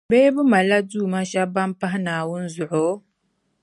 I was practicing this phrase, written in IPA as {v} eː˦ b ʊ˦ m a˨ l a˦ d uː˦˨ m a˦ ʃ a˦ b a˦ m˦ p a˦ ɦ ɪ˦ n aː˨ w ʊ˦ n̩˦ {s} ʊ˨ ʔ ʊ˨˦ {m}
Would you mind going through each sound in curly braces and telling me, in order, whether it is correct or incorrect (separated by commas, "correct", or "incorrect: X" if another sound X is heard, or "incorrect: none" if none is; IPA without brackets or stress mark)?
incorrect: b, incorrect: z, incorrect: none